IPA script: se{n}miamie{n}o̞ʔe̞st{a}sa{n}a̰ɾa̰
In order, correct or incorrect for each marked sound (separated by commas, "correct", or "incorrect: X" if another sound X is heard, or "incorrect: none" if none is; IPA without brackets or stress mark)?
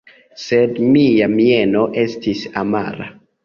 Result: incorrect: d, correct, incorrect: i, incorrect: m